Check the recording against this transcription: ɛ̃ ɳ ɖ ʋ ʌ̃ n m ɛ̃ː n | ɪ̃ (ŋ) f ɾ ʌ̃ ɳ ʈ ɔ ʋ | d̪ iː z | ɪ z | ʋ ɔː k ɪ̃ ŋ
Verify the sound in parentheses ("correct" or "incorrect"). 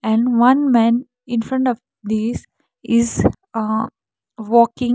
incorrect